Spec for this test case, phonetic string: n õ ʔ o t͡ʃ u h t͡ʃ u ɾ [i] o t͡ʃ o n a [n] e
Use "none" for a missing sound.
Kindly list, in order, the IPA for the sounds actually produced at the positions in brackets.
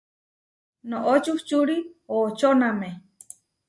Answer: i, m

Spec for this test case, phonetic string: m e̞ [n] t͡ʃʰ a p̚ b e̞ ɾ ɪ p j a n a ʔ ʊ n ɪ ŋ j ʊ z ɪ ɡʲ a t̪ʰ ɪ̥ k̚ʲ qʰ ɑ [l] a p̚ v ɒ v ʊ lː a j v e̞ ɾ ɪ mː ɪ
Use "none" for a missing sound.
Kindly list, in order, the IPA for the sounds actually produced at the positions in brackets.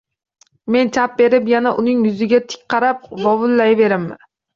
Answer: n, ɾ

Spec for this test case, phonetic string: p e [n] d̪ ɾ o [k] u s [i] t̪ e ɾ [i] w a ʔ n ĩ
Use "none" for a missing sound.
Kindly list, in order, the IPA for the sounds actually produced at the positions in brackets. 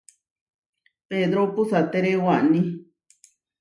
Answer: none, p, a, e

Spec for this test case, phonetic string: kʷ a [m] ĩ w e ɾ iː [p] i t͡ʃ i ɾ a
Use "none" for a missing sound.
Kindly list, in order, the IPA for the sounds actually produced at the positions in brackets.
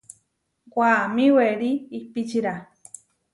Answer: m, p

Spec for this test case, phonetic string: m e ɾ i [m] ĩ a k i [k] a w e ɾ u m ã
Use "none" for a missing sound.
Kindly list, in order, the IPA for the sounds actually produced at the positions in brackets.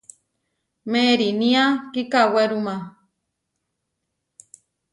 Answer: n, k

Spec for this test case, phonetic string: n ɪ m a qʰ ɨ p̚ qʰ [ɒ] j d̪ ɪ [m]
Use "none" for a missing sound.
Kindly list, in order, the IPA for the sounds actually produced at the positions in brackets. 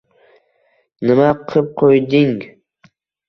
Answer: o, ŋ

